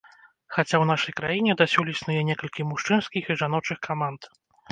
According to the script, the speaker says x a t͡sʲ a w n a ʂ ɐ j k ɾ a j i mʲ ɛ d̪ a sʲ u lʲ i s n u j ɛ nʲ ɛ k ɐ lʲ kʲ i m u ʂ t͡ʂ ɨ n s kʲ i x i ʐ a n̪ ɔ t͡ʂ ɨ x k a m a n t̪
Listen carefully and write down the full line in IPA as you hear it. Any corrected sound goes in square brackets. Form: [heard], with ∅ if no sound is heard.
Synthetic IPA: x a t͡sʲ a w n a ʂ ɐ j k ɾ a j i [nʲ] ɛ d̪ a sʲ u lʲ i s n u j ɛ nʲ ɛ k ɐ lʲ kʲ i m u ʂ t͡ʂ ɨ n s kʲ i x i ʐ a n̪ ɔ t͡ʂ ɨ x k a m a n t̪